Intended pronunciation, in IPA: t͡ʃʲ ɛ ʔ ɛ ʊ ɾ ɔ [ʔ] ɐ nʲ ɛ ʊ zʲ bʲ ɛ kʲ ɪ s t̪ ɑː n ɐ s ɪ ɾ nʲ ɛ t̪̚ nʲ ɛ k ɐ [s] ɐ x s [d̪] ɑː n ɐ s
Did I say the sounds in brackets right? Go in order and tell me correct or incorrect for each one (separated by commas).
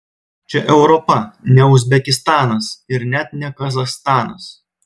incorrect, incorrect, incorrect